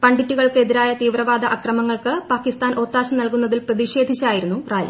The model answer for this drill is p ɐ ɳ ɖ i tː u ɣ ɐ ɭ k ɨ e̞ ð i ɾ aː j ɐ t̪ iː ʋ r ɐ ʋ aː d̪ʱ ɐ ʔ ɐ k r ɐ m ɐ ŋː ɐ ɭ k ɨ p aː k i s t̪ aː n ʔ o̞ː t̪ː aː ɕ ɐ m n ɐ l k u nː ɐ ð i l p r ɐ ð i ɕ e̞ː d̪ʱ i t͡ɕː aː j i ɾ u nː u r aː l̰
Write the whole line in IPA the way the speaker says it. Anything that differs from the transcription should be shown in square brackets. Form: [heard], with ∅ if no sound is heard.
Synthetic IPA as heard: p ɐ ɳ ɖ i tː u ɣ ɐ ɭ k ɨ e̞ ð i ɾ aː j ɐ t̪ iː ʋ r ɐ ʋ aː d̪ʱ ɐ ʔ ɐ k r ɐ m ɐ ŋː ɐ ɭ k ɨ p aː k i s t̪ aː n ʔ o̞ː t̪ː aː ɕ ɐ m n ɐ l k u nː ɐ ð i l p r ɐ ð i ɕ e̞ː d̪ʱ i t͡ɕː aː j i ɾ u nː u r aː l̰

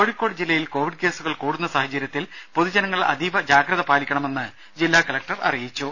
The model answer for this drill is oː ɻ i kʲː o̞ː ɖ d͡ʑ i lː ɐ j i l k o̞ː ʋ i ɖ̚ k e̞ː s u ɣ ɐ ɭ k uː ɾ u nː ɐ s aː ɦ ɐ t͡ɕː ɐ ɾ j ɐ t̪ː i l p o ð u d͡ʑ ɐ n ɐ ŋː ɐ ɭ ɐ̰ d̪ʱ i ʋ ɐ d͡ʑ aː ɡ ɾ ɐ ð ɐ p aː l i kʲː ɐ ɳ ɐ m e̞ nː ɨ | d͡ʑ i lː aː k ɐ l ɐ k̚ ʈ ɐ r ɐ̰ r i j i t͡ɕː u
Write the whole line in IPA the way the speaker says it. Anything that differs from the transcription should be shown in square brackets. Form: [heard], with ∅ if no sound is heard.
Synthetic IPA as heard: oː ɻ i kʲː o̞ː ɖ d͡ʑ i lː ɐ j i l k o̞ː ʋ i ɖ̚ k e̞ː s u ɣ ɐ ɭ k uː [ɽ] u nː ɐ s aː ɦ ɐ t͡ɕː ɐ ɾ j ɐ t̪ː i l p o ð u d͡ʑ ɐ n ɐ ŋː ɐ ɭ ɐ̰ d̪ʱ i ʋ ɐ d͡ʑ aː ɡ ɾ ɐ ð ɐ p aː l i kʲː ɐ ɳ ɐ m e̞ nː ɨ | d͡ʑ i lː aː k ɐ l ɐ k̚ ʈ ɐ r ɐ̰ r i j i t͡ɕː u

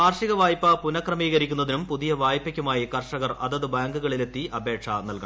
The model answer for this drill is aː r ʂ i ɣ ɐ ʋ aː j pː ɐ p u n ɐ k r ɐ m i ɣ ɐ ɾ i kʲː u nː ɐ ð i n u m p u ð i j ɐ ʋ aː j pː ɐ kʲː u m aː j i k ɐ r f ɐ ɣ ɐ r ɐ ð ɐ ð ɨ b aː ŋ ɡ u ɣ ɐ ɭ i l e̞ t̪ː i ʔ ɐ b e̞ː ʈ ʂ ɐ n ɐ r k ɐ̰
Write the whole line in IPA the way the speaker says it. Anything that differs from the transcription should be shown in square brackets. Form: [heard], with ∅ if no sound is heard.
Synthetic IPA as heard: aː r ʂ i ɣ ɐ ʋ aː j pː ɐ p u n ɐ k r ɐ m [iː] ɣ ɐ ɾ i kʲː u nː ɐ ð i n u m p u ð i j ɐ ʋ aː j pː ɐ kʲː u m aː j i k ɐ r [ʂ] ɐ ɣ ɐ r ɐ ð ɐ ð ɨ b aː ŋ ɡ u ɣ ɐ ɭ i l e̞ t̪ː i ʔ ɐ b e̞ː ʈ ʂ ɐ n ɐ [l] k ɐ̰

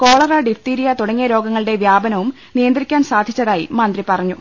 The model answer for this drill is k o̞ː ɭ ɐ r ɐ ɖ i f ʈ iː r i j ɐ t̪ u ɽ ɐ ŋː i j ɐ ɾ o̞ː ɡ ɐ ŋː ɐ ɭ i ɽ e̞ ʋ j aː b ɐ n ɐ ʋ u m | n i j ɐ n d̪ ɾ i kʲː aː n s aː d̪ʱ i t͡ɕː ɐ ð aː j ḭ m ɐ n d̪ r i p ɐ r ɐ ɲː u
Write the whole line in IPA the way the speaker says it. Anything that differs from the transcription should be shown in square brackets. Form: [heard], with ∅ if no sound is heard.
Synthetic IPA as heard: k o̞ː ɭ ɐ r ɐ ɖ i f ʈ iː [ɾ] i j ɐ t̪ u ɽ ɐ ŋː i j ɐ ɾ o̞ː ɡ ɐ ŋː ɐ ɭ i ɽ e̞ ʋ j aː b ɐ n ɐ ʋ u m | n i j ɐ n d̪ ɾ i kʲː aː n s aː d̪ʱ i t͡ɕː ɐ ð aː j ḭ m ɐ n d̪ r i p ɐ r ɐ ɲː u

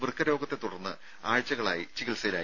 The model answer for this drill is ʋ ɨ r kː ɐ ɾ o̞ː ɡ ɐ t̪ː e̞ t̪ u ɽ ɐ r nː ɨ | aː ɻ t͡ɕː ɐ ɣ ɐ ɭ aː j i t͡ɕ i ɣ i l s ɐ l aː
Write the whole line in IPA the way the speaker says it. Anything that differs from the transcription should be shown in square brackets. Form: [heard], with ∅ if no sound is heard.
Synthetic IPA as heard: ʋ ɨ r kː ɐ ɾ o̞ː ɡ ɐ t̪ː e̞ t̪ u ɽ ɐ r nː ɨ | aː ɻ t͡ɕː ɐ ɣ ɐ ɭ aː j i t͡ɕ i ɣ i l s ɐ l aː

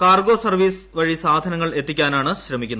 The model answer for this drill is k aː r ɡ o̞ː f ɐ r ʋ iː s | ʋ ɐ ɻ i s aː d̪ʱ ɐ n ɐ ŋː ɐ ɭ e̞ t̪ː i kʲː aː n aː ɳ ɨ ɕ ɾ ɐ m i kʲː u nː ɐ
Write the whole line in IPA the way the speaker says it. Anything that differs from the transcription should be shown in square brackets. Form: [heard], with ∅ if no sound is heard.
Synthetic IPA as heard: k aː r ɡ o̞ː [s] ɐ r ʋ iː s | ʋ ɐ ɻ i s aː d̪ʱ ɐ n ɐ ŋː ɐ ɭ e̞ t̪ː i kʲː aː n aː ɳ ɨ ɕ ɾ ɐ m i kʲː u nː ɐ

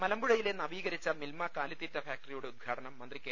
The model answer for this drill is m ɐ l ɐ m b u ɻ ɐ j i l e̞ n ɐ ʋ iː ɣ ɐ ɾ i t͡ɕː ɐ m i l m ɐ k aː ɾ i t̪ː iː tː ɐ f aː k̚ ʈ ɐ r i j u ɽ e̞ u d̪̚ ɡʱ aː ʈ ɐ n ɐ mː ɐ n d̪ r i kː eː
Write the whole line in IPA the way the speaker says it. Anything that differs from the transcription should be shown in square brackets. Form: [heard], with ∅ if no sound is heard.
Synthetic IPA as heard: m ɐ l ɐ m b u ɻ ɐ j i l e̞ n ɐ ʋ iː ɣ ɐ ɾ i t͡ɕː ɐ m i l m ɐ k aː [l] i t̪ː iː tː ɐ f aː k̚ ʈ ɐ r i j u ɽ e̞ u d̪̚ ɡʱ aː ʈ ɐ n ɐ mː ɐ n d̪ r i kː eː

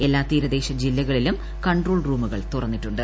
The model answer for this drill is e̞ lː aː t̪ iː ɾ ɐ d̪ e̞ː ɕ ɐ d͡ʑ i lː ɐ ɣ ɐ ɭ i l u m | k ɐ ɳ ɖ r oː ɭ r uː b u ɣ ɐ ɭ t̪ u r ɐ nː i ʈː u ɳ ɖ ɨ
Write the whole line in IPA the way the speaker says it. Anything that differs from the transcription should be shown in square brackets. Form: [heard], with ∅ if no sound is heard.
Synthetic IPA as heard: e̞ lː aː t̪ iː ɾ ɐ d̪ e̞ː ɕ ɐ d͡ʑ i lː ɐ ɣ ɐ ɭ i l u m | k ɐ ɳ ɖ r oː ɭ r uː [m] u ɣ ɐ ɭ t̪ u r ɐ nː i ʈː u ɳ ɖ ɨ

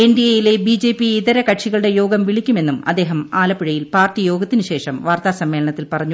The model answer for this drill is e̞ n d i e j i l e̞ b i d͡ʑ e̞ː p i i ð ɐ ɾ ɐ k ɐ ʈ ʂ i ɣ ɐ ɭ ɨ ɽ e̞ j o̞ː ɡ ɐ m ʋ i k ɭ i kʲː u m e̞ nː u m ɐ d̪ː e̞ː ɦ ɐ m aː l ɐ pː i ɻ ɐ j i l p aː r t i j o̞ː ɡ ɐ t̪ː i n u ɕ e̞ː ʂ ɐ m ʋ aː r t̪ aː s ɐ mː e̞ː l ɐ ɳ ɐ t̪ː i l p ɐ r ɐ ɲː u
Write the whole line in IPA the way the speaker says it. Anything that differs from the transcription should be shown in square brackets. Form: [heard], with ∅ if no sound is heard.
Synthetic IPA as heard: e̞ n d i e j i l e̞ b i d͡ʑ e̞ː p i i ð ɐ ɾ ɐ k ɐ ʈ ʂ i ɣ ɐ ɭ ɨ ɽ e̞ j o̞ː ɡ ɐ m ʋ i [∅] ɭ i kʲː u m e̞ nː u m ɐ d̪ː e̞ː ɦ ɐ m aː l ɐ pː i ɻ ɐ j i l p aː r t i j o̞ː ɡ ɐ t̪ː i n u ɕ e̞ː ʂ ɐ m ʋ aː r t̪ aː s ɐ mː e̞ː l ɐ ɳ ɐ t̪ː i l p ɐ r ɐ ɲː u

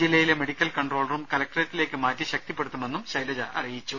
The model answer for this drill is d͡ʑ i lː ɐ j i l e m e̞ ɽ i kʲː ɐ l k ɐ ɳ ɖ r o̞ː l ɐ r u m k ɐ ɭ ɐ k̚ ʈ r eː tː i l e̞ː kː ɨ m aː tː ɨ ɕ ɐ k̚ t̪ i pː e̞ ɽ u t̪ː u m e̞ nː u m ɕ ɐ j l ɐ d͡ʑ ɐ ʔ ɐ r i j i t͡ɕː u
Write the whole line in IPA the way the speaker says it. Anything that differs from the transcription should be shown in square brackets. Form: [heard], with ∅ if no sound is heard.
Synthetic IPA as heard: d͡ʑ i lː ɐ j i l e m e̞ ɽ i kʲː ɐ l k ɐ ɳ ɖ r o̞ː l ɐ r u m k ɐ [l] ɐ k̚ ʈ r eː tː i l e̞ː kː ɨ m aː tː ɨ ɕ ɐ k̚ t̪ i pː e̞ ɽ u t̪ː u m e̞ nː u m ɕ ɐ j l ɐ d͡ʑ ɐ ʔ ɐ r i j i t͡ɕː u

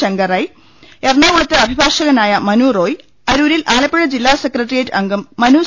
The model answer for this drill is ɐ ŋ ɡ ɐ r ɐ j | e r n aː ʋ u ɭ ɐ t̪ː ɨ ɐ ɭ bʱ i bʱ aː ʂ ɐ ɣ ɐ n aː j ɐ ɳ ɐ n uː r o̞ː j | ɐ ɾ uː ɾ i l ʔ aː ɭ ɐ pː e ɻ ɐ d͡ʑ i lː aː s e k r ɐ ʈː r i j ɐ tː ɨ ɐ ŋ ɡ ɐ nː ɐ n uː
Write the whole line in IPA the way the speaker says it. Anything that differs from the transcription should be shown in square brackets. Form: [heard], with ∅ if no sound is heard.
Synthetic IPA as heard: ɐ ŋ ɡ ɐ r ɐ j | e r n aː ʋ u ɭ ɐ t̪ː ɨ ɐ [∅] bʱ i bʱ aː ʂ ɐ ɣ ɐ n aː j ɐ [m] ɐ n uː r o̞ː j | ɐ ɾ uː ɾ i l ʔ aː [l] ɐ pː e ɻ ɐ d͡ʑ i lː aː s e k r ɐ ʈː r i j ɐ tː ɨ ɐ ŋ ɡ ɐ [mː] ɐ n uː

